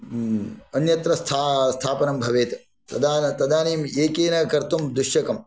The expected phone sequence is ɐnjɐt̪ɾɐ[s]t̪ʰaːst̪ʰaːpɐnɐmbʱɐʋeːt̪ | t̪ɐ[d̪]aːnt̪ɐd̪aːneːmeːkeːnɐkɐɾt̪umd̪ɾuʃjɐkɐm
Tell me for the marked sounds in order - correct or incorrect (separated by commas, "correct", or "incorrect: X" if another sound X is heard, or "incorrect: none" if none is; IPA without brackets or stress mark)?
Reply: correct, correct